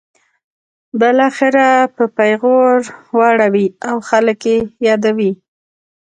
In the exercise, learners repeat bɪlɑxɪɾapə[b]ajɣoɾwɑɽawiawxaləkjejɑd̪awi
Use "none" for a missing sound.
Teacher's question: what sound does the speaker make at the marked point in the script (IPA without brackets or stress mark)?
p